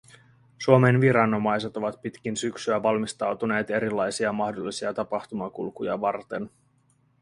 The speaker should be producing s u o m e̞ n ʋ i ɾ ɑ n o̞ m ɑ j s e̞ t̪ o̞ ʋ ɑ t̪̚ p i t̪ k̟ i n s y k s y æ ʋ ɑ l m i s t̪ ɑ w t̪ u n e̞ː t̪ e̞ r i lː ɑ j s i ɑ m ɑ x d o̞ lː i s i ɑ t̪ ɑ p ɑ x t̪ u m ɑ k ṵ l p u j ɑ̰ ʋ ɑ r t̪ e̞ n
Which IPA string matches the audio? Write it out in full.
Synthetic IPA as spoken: s u o m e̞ n ʋ i ɾ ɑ n o̞ m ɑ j s e̞ t̪ o̞ ʋ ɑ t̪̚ p i t̪ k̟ i n s y k s y æ ʋ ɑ l m i s t̪ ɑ w t̪ u n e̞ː t̪ e̞ ɾ i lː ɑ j s i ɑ m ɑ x d o̞ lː i s i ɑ t̪ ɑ p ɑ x t̪ u m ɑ k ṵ l k u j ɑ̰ ʋ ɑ r t̪ e̞ n